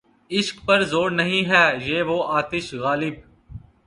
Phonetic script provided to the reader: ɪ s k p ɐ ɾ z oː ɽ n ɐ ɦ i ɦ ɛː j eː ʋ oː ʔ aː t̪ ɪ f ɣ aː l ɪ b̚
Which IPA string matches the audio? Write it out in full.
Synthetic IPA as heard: ɪ ʃ k p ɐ ɾ z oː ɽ n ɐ ɦ ĩ ɦ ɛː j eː ʋ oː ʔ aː t̪ ɪ ʃ ɣ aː l ɪ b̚

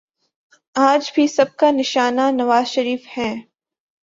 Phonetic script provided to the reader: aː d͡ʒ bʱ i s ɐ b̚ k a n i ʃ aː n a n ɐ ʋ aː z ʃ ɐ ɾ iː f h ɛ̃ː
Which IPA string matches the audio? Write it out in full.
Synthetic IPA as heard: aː d͡ʒ bʱ i s ɐ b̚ k a n ɪ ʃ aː n a n ɐ ʋ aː z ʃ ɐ ɾ iː f h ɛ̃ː

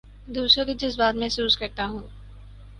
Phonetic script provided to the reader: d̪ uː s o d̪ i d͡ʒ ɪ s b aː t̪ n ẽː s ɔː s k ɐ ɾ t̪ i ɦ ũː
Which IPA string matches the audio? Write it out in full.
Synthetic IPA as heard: d̪ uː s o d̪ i d͡ʒ ɪ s b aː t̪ m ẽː s uː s k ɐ ɾ t̪ a ɦ ũː

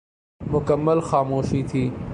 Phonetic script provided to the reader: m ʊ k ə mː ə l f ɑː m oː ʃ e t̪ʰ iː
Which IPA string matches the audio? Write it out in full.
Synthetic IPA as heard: m ʊ k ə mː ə l x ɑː m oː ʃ i t̪ʰ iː

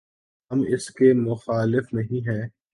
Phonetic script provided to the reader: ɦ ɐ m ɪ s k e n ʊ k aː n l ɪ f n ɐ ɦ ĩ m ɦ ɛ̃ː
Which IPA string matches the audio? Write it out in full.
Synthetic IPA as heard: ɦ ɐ m ɪ s k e m ʊ x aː l ɪ f n ɐ ɦ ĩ ɦ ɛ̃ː

